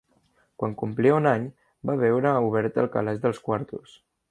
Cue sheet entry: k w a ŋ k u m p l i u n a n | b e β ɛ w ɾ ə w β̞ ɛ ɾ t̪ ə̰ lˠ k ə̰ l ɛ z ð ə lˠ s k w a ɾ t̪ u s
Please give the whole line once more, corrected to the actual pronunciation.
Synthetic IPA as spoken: k w a ŋ k u m p l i u n a ɲ | b a β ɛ w ɾ ə u β̞ ɛ ɾ t̪ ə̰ lˠ k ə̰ l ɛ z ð ə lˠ s k w a ɾ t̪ u s